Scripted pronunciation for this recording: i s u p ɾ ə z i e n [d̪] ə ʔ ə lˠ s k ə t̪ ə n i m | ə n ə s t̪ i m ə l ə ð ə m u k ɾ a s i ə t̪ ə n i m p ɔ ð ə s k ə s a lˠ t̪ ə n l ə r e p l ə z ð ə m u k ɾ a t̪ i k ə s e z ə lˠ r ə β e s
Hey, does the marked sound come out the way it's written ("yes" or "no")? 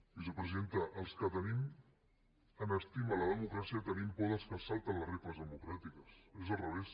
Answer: no